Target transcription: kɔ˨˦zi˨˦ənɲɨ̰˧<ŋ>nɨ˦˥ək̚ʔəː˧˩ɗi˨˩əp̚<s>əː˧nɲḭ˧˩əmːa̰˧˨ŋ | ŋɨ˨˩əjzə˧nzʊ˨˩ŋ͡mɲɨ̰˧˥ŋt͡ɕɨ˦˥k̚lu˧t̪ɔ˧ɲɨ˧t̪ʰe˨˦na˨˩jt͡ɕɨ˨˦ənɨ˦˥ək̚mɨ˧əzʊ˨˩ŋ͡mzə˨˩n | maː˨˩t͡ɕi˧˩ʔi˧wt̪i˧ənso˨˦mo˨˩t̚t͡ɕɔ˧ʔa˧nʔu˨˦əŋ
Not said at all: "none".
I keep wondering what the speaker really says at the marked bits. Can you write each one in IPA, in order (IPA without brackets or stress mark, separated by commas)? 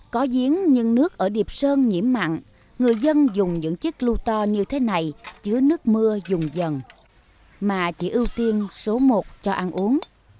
ŋ, s